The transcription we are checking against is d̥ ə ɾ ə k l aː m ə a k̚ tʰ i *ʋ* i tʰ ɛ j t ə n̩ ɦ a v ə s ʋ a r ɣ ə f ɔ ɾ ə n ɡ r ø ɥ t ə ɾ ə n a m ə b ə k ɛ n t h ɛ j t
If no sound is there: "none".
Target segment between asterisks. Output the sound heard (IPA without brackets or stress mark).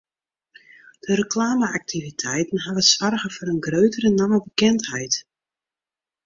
v